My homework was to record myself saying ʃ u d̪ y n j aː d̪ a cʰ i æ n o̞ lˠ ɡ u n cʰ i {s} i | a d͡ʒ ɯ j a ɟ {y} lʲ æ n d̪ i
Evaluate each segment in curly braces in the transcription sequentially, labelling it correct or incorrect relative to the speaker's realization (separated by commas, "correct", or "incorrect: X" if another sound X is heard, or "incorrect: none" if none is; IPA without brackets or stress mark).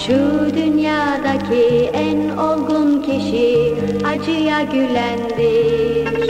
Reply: incorrect: ʃ, correct